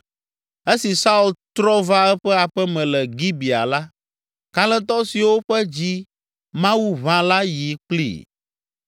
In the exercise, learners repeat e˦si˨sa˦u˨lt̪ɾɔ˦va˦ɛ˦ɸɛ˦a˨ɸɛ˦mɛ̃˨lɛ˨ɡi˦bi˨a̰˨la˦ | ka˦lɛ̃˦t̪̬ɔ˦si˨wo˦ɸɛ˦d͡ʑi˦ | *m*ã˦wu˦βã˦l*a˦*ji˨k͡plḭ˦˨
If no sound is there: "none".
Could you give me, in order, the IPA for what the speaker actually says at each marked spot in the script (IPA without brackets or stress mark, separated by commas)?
m, a˦